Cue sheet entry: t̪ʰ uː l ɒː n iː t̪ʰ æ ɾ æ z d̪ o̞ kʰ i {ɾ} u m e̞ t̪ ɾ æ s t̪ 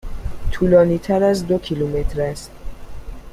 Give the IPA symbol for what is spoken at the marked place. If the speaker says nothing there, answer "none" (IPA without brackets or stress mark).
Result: l